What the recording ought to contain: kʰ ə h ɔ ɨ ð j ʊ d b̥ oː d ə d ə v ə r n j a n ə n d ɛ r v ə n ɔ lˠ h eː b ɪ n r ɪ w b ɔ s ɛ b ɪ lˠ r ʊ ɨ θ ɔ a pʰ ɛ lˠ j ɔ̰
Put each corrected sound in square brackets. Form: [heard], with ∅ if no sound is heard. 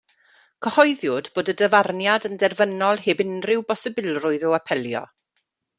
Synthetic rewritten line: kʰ ə h ɔ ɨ ð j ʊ d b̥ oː d ə d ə v [a] r n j a [d] ə n d ɛ r v ə n ɔ lˠ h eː b ɪ n r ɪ w b ɔ s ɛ b ɪ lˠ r ʊ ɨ [ð] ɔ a pʰ ɛ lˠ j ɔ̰